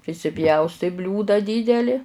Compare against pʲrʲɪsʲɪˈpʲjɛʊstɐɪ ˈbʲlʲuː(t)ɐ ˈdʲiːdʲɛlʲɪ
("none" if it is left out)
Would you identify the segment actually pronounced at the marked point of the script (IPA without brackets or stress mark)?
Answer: d